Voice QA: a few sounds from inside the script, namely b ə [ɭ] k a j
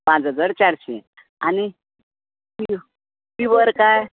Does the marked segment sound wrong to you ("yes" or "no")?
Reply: yes